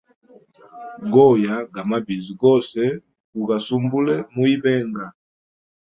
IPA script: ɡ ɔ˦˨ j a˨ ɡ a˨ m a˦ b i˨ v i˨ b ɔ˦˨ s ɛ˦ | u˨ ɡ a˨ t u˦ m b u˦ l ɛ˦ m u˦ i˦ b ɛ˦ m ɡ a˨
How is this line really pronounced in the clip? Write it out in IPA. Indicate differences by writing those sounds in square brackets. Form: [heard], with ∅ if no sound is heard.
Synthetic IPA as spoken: ɡ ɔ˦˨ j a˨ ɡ a˨ m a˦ b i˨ [z] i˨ [ɡ] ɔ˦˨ s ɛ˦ | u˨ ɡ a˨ [s] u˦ m b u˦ l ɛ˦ m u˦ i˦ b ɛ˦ [ŋ] ɡ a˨